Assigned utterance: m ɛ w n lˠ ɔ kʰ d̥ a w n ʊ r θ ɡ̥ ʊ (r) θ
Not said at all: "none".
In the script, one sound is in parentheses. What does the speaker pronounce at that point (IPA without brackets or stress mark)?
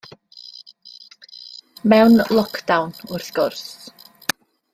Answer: r